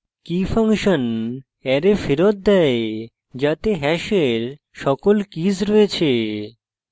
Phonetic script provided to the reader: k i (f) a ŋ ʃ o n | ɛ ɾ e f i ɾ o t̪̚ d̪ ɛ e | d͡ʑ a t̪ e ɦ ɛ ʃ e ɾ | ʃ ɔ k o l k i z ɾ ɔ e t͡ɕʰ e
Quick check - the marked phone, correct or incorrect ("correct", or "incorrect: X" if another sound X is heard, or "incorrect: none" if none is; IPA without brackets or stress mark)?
correct